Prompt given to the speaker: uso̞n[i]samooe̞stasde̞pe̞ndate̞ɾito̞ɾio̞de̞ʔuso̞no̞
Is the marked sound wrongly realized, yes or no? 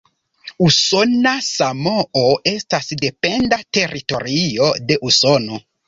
yes